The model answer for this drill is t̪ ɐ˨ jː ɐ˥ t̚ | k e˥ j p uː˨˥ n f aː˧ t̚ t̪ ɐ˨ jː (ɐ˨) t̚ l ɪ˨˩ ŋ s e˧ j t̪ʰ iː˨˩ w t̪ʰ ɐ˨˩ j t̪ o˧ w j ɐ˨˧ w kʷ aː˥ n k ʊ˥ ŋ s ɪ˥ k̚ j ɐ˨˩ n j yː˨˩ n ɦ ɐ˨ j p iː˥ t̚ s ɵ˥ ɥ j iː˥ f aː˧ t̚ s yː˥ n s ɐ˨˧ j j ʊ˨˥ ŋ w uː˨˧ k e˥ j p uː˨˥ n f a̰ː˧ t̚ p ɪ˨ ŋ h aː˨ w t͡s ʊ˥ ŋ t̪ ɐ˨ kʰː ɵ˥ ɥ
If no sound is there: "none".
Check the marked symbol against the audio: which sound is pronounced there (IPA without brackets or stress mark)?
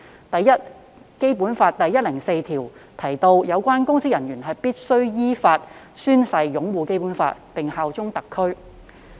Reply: ɐ˥